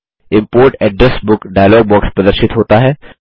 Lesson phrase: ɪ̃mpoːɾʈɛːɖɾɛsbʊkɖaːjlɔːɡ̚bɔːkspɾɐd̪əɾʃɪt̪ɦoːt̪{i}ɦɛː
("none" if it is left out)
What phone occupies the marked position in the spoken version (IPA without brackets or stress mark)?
a